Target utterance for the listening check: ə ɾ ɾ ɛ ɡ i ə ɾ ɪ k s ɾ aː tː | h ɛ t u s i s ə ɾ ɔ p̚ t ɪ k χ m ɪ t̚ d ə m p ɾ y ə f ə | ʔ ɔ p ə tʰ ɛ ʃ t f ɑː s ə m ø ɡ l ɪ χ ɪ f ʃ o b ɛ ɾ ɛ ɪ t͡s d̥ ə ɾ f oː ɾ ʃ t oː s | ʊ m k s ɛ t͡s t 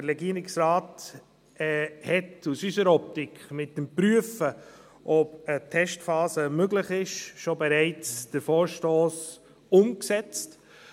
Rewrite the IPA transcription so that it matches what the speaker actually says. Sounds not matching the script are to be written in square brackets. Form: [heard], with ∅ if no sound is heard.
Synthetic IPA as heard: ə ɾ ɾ ɛ ɡ i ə ɾ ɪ k s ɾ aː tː | h ɛ t u s [y] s ə ɾ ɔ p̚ t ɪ k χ m ɪ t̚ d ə m p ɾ y ə f ə | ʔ ɔ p ə tʰ ɛ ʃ t f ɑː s ə m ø ɡ l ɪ χ ɪ [ʃ] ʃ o b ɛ ɾ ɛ ɪ t͡s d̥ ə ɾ f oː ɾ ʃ t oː s | ʊ m k s ɛ t͡s t

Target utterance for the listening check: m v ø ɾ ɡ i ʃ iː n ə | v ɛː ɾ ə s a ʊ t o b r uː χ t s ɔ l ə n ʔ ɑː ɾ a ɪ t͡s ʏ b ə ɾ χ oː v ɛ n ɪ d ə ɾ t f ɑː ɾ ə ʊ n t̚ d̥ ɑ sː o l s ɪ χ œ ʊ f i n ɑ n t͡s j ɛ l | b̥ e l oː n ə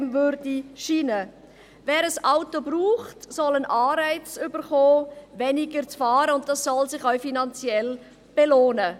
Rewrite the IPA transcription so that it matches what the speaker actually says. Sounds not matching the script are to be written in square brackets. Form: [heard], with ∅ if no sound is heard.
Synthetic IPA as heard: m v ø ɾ [d] i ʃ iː n ə | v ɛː ɾ ə s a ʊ t o b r uː χ t s ɔ l ə n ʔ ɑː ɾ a ɪ t͡s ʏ b ə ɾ χ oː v ɛ n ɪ [ɡ] ə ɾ [t͡s] f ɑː ɾ ə ʊ n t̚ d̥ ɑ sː [ɔ] l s ɪ χ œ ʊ f i n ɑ n t͡s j ɛ l | b̥ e l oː n ə

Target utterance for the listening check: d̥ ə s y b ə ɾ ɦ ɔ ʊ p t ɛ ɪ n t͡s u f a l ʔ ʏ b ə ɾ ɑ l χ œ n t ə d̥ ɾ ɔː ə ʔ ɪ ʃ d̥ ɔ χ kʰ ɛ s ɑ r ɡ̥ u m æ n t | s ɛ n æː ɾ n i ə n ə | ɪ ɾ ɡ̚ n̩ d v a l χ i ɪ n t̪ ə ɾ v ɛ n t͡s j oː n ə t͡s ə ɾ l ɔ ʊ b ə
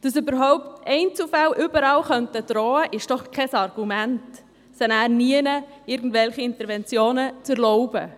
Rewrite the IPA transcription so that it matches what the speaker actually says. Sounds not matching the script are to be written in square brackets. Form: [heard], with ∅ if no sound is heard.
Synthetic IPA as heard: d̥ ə s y b ə ɾ ɦ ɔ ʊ p t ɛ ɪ n t͡s u f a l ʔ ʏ b ə ɾ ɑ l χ œ n t ə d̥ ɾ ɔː ə ʔ ɪ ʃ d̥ ɔ χ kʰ ɛ s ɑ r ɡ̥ u m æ n t | s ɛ n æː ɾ n i ə n ə | ɪ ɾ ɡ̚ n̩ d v [ɛ] l χ i ɪ n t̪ ə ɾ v ɛ n t͡s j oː n ə t͡s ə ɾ l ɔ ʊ b ə

